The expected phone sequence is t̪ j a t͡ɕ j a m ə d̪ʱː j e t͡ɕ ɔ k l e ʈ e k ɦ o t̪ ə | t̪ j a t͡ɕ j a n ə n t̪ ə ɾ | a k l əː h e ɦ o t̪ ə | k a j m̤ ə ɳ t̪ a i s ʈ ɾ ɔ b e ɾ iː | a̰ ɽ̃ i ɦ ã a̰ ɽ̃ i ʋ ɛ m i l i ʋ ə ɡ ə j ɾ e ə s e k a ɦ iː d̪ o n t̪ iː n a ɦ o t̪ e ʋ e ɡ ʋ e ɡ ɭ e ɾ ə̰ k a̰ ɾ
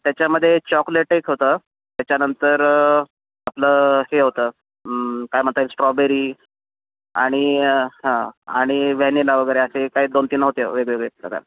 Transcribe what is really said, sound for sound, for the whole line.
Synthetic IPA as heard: t̪ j a t͡ɕ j a m ə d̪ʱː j e t͡ɕ ɔ k l e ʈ e k ɦ o t̪ ə | t̪ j a t͡ɕ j a n ə n t̪ ə ɾ | a p l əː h e ɦ o t̪ ə | k a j m̤ ə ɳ t̪ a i s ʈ ɾ ɔ b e ɾ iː | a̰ ɽ̃ i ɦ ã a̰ ɽ̃ i ʋ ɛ n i l a ʋ ə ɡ ə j ɾ e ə s e k a ɦ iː d̪ o n t̪ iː n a ɦ o t̪ e ʋ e ɡ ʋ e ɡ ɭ e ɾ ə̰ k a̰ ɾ